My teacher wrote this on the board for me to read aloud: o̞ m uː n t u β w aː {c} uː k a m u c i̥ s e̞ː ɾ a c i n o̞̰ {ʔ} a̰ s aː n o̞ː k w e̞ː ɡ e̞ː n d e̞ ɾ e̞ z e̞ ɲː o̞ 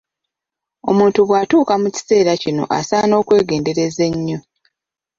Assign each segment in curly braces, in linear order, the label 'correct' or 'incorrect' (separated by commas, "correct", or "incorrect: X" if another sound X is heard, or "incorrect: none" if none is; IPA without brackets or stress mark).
incorrect: t, correct